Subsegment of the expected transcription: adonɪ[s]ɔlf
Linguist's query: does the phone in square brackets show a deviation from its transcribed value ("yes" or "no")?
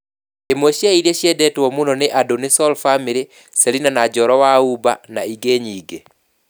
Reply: no